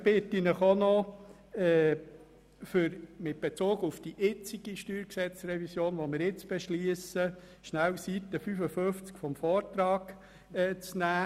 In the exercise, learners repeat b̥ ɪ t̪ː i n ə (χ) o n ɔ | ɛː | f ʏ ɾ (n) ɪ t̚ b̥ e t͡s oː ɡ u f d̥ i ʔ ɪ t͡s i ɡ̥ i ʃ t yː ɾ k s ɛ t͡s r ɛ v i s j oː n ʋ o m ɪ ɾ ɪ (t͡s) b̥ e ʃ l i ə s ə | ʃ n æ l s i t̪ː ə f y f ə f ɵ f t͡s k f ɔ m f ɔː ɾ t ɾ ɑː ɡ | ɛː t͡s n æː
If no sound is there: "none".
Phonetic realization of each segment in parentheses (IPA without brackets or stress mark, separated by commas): χ, m, t͡s